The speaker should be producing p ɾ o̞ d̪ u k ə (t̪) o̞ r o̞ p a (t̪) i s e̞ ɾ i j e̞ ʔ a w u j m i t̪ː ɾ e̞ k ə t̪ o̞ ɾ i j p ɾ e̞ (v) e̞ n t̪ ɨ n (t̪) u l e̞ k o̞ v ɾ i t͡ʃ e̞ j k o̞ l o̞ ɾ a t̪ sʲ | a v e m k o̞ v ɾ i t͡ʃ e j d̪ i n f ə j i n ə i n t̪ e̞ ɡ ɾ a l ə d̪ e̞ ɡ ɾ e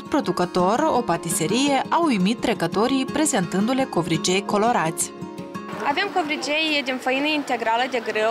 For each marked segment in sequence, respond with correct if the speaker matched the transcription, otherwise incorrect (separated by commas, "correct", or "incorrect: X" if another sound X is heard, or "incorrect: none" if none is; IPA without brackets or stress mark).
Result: correct, correct, incorrect: z, incorrect: d̪